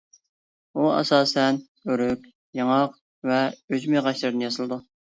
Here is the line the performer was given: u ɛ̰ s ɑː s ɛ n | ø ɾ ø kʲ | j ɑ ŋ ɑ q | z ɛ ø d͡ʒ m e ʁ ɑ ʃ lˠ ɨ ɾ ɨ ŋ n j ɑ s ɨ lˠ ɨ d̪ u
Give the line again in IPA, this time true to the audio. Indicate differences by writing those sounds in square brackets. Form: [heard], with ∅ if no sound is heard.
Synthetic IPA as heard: u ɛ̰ s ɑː s ɛ n | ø ɾ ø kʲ | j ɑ ŋ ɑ q | [v] ɛ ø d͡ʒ m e ʁ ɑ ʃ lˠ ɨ ɾ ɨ [∅] n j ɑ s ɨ lˠ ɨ d̪ u